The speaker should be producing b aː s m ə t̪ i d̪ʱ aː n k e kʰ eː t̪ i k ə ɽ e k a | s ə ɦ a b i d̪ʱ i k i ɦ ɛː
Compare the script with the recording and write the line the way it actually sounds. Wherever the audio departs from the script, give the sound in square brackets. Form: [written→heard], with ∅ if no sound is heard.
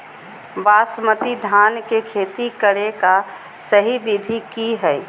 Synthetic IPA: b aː s m ə t̪ i d̪ʱ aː n k e kʰ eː t̪ i k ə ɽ e k a | s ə ɦ [a→i] b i d̪ʱ i k i ɦ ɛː